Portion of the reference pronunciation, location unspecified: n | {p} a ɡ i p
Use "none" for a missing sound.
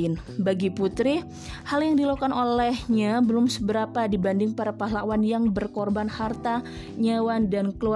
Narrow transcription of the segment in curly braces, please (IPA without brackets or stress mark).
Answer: b